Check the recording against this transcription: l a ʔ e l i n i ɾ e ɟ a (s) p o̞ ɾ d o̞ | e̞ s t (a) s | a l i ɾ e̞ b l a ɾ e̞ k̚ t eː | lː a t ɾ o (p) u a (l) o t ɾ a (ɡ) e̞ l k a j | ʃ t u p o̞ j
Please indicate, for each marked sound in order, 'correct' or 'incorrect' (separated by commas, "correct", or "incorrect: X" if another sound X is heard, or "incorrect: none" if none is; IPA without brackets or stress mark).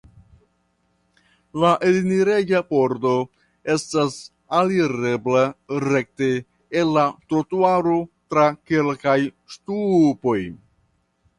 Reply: incorrect: none, correct, incorrect: t, incorrect: ɾ, incorrect: k